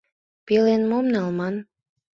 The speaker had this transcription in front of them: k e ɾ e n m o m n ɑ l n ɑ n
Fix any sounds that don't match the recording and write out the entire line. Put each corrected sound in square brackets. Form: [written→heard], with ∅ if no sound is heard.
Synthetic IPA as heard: [k→p] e [ɾ→l] e n m o m n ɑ l [n→m] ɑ n